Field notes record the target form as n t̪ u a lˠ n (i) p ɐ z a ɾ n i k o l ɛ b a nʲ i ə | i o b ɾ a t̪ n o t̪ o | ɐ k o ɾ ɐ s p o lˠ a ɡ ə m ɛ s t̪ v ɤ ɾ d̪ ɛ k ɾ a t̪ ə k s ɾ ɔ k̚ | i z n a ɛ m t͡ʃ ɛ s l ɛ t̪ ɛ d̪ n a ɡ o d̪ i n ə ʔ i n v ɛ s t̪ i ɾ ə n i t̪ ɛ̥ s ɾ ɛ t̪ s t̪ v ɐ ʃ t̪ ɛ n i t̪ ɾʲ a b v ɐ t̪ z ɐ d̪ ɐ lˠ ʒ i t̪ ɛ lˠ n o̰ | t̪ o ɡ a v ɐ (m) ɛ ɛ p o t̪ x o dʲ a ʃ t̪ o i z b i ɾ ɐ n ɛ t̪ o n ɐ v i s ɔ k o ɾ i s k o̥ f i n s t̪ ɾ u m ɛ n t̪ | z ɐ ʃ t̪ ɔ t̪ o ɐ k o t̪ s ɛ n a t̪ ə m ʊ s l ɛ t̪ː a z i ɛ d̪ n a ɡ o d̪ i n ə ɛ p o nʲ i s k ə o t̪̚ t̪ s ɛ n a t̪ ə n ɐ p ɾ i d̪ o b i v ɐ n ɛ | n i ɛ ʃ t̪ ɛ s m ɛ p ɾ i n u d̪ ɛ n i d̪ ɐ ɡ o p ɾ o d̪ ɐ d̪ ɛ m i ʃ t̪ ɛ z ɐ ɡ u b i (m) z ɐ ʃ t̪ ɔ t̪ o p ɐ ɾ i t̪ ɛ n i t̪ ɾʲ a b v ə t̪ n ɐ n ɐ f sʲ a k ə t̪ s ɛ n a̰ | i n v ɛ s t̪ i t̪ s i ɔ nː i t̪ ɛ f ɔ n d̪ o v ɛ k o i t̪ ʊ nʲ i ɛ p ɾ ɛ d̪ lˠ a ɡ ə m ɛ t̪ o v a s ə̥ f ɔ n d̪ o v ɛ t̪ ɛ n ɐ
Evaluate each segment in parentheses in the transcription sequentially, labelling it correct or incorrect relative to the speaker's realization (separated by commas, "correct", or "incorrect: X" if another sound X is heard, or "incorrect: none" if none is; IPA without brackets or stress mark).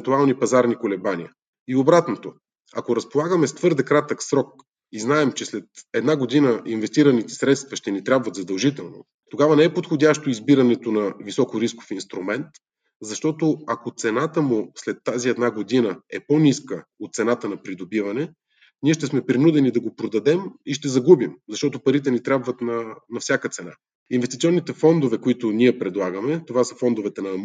correct, incorrect: n, correct